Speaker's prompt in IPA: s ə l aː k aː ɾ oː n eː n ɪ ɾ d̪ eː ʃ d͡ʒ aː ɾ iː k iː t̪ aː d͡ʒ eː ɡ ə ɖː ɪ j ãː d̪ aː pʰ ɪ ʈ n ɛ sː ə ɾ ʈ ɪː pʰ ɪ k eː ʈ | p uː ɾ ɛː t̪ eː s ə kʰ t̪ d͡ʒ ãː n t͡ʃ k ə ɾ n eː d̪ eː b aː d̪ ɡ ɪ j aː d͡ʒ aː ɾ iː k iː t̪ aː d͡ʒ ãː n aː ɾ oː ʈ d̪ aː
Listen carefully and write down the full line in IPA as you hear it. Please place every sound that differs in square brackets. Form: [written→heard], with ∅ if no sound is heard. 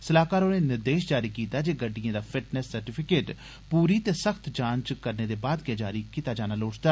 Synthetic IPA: s ə l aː k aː ɾ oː n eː n ɪ ɾ d̪ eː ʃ d͡ʒ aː ɾ iː k iː t̪ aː d͡ʒ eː ɡ ə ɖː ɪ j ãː d̪ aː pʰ ɪ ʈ n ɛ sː ə ɾ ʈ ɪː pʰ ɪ k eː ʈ | p uː ɾ [ɛː→iː] t̪ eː s ə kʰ t̪ d͡ʒ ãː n t͡ʃ k ə ɾ n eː d̪ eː b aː d̪ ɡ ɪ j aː d͡ʒ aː ɾ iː k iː t̪ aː d͡ʒ [ãː→aː] n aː [ɾ→l] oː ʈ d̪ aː

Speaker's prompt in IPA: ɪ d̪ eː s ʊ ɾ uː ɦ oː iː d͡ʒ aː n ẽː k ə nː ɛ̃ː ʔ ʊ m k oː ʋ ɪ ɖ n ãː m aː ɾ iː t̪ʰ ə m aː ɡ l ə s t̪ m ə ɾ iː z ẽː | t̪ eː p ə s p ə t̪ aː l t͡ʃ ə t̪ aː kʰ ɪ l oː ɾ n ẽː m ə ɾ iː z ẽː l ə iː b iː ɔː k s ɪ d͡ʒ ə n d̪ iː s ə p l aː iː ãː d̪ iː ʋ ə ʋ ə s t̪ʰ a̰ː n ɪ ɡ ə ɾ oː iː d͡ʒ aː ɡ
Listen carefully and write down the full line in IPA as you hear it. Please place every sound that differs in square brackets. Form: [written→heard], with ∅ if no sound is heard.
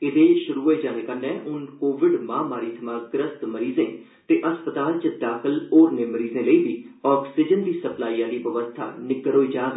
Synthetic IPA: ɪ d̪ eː [s→ʃ] ʊ ɾ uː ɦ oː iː d͡ʒ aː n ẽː k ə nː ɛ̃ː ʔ ʊ [m→n] k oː ʋ ɪ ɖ [n→m] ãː m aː ɾ iː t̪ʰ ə m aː ɡ [l→ɾ] ə s t̪ m ə ɾ iː z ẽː | t̪ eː [p→ʔ] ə s p ə t̪ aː l t͡ʃ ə [t̪→d̪] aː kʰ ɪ l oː ɾ n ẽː m ə ɾ iː z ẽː l ə iː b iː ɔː k s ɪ d͡ʒ ə n d̪ iː s ə p l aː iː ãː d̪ iː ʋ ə ʋ ə s t̪ʰ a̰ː n ɪ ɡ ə ɾ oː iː d͡ʒ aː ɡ

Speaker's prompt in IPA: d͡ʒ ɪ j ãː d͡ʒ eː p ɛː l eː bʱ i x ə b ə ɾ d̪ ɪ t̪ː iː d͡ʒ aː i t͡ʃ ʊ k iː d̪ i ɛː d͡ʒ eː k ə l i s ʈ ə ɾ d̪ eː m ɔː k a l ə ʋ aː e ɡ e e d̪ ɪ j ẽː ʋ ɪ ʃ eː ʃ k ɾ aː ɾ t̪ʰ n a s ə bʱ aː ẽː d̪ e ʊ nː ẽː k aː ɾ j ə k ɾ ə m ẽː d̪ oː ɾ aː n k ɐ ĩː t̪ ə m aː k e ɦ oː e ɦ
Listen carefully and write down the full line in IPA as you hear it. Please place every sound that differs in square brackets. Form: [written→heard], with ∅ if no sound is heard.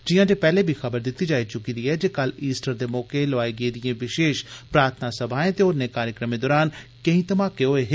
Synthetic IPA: d͡ʒ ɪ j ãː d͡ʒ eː p ɛː l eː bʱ i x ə b ə ɾ d̪ ɪ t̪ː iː d͡ʒ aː i t͡ʃ ʊ k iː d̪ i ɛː d͡ʒ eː k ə l [i→iː] s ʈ ə ɾ d̪ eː m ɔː k [a→e] l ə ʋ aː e ɡ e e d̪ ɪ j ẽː ʋ ɪ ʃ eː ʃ [k→p] ɾ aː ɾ t̪ʰ n a s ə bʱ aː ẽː [d̪→t̪] e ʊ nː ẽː k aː ɾ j ə k ɾ ə m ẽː d̪ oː ɾ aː n k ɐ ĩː t̪ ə m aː k e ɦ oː e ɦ

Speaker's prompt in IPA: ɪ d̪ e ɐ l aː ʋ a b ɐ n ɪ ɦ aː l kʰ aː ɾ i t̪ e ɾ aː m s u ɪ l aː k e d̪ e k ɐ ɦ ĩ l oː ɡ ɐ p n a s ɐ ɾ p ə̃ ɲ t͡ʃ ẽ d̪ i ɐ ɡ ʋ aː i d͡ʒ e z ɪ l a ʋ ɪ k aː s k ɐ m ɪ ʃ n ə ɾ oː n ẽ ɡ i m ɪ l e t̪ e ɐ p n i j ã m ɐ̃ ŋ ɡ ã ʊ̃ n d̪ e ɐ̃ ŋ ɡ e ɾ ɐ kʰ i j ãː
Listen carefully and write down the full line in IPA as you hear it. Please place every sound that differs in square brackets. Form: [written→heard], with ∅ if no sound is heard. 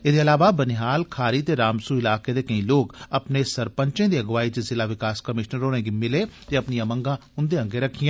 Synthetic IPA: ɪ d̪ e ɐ l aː ʋ a b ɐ n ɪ ɦ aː l kʰ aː ɾ i t̪ e ɾ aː m s u ɪ l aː k e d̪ e k ɐ ɦ ĩ l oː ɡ ɐ p n [a→e] s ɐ ɾ p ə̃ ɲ t͡ʃ ẽ d̪ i ɐ ɡ ʋ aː i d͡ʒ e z ɪ l a ʋ ɪ k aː s k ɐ m ɪ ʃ n ə ɾ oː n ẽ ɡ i m ɪ l e t̪ e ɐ p n i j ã m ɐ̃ ŋ ɡ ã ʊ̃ n d̪ e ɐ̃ ŋ ɡ e ɾ ɐ kʰ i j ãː

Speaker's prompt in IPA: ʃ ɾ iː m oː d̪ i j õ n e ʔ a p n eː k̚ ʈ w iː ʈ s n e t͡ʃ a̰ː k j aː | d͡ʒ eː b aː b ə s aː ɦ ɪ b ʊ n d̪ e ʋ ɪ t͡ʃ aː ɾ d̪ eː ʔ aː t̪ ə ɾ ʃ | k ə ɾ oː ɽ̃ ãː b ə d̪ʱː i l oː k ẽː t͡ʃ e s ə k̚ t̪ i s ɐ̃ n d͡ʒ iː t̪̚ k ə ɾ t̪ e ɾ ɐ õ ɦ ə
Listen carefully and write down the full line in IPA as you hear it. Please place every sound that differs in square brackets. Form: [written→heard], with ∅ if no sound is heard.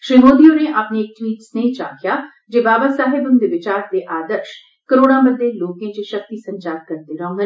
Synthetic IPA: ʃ ɾ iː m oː d̪ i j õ n e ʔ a p n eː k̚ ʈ w iː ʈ s n e t͡ʃ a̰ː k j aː | d͡ʒ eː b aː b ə s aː ɦ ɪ b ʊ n d̪ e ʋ ɪ t͡ʃ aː ɾ d̪ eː ʔ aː [t̪→d̪] ə ɾ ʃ | k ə ɾ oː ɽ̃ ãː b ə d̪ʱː [i→e] l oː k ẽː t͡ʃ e [s→ʃ] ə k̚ t̪ i s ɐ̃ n d͡ʒ [iː→aː] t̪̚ k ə ɾ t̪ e ɾ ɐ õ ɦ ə

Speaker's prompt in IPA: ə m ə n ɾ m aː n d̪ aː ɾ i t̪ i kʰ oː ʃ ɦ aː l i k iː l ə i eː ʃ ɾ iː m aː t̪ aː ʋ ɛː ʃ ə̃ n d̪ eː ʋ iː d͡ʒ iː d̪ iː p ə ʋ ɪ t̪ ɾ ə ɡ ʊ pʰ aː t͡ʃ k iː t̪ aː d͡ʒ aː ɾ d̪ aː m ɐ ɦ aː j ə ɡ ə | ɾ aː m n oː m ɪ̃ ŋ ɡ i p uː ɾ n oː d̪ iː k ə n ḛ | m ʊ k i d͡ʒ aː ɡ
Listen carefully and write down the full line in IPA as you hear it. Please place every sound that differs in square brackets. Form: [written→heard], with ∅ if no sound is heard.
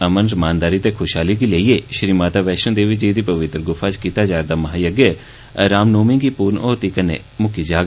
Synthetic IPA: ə m ə n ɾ m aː n d̪ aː ɾ i t̪ [i→e] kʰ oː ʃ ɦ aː l i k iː l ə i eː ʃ ɾ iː m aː t̪ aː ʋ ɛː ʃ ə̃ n d̪ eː ʋ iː d͡ʒ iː d̪ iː p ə ʋ ɪ t̪ ɾ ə ɡ ʊ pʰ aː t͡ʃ k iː t̪ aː d͡ʒ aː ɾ d̪ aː m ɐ ɦ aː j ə ɡ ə | ɾ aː m n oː m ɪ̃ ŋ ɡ i p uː ɾ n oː [d̪→t̪] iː k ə n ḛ | m ʊ k i d͡ʒ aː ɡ

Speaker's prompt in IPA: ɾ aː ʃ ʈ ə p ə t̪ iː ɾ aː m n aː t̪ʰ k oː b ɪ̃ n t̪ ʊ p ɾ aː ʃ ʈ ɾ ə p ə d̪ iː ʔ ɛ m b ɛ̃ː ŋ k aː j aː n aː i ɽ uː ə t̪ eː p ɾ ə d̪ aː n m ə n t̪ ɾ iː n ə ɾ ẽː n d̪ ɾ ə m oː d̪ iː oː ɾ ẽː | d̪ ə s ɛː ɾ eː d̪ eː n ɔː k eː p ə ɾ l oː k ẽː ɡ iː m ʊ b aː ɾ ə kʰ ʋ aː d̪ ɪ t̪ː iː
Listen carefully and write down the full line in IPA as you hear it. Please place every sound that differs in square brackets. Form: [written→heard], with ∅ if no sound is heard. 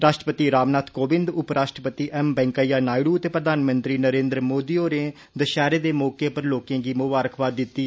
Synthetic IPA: ɾ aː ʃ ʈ ə p ə t̪ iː ɾ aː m n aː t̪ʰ k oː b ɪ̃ n [t̪→d̪] ʊ p ɾ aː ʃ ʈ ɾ ə p ə [d̪→t̪] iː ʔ ɛ m b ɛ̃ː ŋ k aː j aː n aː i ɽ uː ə t̪ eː p ɾ ə d̪ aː n m ə n t̪ ɾ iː n ə ɾ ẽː n d̪ ɾ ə m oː d̪ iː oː ɾ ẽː | d̪ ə [s→ʃ] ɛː ɾ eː d̪ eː [n→m] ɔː k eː p ə ɾ l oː k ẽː ɡ iː m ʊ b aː ɾ ə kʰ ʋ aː d̪ ɪ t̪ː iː

